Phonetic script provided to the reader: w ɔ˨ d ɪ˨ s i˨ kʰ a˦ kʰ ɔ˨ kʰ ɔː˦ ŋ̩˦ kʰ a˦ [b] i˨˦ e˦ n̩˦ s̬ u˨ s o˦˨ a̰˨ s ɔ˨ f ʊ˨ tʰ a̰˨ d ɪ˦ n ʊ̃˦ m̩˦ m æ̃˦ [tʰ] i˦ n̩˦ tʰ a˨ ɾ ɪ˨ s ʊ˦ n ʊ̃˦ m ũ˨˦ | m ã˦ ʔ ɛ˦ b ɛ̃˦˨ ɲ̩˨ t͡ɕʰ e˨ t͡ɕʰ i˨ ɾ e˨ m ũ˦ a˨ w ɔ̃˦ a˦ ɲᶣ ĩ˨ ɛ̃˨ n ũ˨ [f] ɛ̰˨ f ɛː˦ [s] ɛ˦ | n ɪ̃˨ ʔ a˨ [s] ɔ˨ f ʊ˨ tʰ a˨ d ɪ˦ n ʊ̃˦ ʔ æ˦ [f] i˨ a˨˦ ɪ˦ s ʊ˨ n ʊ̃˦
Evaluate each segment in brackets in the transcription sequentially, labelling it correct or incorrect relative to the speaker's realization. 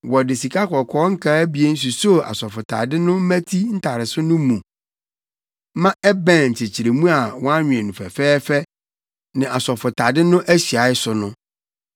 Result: correct, correct, correct, incorrect: f, correct, incorrect: ɕ

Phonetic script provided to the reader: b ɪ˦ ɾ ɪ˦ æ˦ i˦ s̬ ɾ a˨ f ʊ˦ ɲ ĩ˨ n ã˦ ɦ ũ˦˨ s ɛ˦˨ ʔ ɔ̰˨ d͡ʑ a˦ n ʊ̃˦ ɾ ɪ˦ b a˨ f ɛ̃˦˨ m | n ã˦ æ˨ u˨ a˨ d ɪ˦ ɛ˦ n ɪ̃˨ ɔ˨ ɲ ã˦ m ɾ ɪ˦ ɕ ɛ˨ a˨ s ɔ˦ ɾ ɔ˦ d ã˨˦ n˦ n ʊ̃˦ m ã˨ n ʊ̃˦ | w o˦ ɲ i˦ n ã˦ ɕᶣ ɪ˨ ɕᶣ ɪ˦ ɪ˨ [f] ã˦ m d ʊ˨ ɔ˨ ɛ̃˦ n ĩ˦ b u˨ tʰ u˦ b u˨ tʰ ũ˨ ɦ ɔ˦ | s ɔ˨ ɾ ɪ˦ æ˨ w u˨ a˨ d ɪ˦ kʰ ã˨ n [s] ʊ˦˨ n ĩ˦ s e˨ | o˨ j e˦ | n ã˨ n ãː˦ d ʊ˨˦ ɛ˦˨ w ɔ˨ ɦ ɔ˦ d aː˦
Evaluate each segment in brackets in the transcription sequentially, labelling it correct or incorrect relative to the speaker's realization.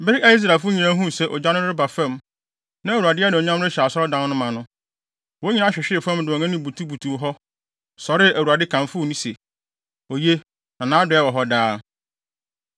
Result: correct, incorrect: f

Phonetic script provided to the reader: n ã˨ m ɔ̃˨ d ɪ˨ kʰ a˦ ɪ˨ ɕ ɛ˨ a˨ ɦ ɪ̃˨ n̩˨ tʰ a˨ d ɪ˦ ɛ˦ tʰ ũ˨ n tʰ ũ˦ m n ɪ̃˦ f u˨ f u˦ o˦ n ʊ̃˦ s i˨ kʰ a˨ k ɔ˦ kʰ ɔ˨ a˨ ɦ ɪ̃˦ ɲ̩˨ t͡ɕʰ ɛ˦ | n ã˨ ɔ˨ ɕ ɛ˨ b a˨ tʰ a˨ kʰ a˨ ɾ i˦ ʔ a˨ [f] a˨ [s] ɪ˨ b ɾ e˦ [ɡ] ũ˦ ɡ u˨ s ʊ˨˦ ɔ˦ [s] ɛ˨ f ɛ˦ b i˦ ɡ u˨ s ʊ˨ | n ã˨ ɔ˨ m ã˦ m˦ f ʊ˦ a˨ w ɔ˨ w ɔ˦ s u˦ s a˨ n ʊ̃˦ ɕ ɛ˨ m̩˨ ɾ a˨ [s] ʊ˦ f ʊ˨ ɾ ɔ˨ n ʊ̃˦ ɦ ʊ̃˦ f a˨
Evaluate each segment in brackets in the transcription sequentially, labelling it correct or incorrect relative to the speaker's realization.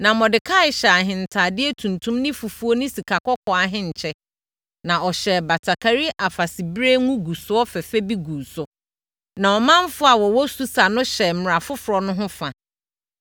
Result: correct, correct, incorrect: ŋ, incorrect: f, incorrect: f

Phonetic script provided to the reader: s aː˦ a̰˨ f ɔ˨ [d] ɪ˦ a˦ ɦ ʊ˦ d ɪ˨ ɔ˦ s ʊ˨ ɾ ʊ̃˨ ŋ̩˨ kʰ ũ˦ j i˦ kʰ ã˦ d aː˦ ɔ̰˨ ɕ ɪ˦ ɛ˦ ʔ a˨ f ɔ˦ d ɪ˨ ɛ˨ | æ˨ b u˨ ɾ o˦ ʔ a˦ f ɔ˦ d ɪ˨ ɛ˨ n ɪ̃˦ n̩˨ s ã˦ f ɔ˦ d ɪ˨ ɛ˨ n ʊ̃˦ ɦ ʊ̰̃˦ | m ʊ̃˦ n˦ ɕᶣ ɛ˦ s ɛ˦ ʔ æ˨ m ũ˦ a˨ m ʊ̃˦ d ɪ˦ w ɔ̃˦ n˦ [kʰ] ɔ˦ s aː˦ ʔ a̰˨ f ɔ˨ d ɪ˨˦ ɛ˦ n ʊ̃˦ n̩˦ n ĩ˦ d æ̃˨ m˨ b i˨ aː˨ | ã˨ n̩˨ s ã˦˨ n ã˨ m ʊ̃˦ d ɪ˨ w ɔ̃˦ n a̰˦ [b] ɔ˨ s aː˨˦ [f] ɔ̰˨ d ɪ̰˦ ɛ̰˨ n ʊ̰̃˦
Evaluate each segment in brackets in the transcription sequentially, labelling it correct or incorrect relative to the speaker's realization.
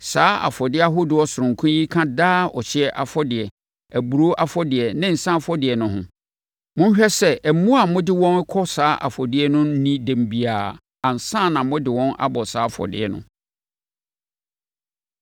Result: correct, correct, correct, correct

